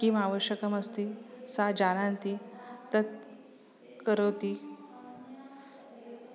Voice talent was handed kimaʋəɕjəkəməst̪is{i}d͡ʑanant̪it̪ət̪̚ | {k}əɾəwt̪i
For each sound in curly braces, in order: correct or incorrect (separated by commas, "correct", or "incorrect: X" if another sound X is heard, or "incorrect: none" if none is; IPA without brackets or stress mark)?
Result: incorrect: a, correct